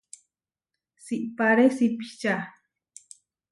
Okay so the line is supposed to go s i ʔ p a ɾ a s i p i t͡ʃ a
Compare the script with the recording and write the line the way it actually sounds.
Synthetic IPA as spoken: s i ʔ p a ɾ e s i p i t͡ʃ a